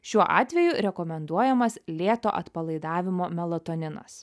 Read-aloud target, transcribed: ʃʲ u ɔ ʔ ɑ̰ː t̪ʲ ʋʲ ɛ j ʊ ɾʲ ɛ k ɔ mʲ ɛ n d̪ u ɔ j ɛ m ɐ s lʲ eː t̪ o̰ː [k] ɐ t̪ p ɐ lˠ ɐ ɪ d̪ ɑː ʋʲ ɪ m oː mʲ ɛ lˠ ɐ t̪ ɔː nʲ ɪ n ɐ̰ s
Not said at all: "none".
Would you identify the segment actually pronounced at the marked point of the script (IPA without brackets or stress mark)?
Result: ʔ